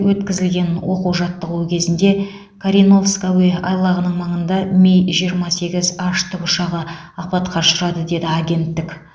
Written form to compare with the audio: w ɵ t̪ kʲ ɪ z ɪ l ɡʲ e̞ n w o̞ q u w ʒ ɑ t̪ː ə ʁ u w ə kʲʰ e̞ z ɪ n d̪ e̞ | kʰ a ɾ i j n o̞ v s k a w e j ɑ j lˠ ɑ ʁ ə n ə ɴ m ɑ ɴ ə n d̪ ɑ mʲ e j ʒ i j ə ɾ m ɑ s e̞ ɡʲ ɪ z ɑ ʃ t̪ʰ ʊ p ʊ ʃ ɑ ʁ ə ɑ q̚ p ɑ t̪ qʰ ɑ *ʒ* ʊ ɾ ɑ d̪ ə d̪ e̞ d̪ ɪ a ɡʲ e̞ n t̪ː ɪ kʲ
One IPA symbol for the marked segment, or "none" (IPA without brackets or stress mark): ʃ